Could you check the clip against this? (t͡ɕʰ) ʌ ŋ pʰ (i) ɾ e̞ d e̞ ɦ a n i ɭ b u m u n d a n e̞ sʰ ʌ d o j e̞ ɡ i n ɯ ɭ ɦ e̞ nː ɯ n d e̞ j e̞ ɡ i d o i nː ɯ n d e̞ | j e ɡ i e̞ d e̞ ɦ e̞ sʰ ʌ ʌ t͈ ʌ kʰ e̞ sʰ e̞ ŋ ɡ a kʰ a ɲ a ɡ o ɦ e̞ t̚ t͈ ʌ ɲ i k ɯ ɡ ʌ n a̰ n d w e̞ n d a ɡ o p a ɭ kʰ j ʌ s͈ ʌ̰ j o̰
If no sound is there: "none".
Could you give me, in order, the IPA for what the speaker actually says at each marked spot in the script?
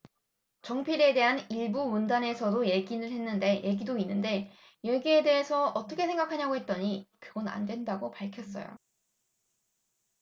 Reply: t͡ɕ, i

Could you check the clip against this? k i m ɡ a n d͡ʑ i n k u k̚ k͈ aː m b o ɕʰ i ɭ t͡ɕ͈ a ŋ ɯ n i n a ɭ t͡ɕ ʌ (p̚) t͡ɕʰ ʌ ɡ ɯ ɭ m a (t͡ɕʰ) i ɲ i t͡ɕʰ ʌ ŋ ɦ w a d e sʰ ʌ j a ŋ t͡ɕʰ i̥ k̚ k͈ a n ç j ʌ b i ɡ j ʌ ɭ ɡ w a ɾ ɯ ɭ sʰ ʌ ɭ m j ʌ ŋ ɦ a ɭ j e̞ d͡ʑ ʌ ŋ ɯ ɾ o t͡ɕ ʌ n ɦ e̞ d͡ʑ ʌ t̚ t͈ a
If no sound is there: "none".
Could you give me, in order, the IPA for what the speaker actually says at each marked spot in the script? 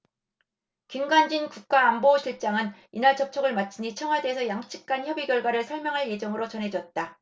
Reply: p̚, t͡ɕʰ

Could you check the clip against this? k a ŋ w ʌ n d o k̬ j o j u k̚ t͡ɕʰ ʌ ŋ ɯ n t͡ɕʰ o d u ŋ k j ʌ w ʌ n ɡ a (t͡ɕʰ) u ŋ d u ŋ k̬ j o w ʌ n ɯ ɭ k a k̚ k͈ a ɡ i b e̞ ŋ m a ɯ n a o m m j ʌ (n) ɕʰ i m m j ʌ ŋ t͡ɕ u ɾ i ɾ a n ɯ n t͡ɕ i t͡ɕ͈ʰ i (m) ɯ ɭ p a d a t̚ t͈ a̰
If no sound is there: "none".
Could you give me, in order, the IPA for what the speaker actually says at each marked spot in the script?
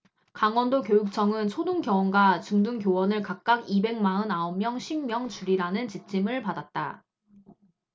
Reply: t͡ɕ, ŋ, m

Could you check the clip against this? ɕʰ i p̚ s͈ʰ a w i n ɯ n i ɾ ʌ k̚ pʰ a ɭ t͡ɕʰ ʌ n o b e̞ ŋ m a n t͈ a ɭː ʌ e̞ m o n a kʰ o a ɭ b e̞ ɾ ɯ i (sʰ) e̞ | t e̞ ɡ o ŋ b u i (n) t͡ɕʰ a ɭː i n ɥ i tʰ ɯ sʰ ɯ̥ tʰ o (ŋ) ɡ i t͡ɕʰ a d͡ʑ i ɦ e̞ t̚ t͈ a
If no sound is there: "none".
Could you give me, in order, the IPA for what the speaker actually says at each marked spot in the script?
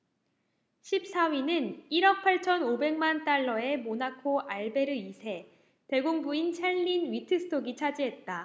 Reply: sʰ, n, none

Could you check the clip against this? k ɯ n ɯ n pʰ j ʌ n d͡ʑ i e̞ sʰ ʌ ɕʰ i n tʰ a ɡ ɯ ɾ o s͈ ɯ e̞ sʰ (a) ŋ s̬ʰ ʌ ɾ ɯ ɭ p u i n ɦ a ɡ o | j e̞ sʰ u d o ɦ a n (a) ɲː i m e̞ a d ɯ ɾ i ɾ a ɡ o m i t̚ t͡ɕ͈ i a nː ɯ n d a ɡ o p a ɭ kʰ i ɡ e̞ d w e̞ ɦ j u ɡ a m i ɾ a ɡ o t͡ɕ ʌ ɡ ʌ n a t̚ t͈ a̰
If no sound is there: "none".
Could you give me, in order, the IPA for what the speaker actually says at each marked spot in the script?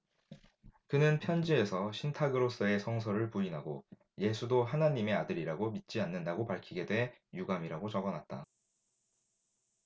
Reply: ʌ, a

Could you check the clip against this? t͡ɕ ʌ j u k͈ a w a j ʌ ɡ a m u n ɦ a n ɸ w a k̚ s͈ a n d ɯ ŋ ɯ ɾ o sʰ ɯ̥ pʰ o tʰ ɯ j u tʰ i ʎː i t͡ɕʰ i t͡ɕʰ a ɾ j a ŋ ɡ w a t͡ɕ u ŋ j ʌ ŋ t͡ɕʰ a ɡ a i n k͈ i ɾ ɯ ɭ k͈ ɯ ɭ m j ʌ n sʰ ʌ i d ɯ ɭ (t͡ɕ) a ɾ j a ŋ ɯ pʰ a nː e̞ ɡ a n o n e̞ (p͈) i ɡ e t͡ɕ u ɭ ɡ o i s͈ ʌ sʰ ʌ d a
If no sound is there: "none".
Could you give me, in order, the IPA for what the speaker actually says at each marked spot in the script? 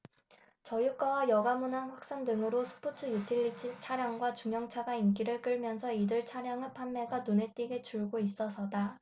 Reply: t͡ɕʰ, t͈

